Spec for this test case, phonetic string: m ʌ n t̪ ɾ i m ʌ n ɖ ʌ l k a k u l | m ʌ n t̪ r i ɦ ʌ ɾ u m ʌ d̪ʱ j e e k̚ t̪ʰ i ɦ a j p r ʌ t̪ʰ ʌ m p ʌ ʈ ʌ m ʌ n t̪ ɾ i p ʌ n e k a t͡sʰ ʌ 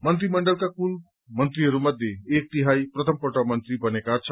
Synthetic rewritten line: m ʌ n t̪ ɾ i m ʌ ɳ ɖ ʌ l k a k u l | m ʌ n t̪ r i ɦ ʌ ɾ u m ʌ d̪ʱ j e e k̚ t̪ i ɦ a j p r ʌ t̪ʰ ʌ m p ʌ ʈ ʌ m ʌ n t̪ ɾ i b ʌ n e k a t͡sʰ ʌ